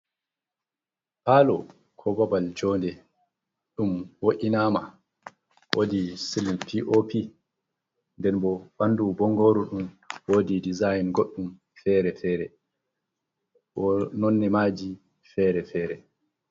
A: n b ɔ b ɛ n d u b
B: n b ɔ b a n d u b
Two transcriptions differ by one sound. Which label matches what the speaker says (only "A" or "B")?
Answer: B